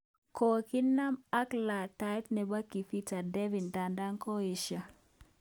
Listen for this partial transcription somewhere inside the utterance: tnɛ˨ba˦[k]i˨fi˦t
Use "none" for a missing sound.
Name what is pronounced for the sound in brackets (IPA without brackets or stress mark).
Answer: k